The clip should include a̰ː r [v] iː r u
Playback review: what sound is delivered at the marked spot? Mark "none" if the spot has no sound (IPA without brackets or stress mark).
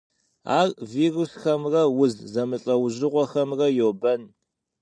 v